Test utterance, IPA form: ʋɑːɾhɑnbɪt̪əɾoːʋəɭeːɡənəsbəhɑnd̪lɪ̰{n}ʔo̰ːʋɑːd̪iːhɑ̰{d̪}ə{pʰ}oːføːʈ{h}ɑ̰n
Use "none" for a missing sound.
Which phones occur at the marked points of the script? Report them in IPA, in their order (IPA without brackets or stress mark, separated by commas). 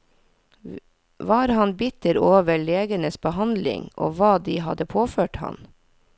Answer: ŋ, d̪, pʰ, h